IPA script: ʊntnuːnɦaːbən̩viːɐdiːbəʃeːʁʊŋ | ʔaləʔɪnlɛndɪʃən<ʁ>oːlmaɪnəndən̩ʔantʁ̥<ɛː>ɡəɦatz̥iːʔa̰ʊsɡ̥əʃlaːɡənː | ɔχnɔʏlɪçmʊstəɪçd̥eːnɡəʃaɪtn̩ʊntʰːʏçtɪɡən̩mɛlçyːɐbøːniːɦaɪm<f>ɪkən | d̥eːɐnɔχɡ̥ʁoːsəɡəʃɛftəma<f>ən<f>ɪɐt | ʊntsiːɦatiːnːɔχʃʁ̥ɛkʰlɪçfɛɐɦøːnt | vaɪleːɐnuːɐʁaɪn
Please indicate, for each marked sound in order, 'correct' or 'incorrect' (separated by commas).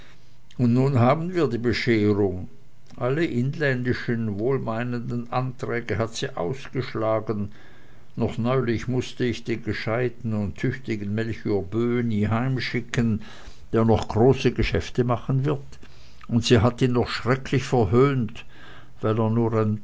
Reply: incorrect, correct, incorrect, incorrect, incorrect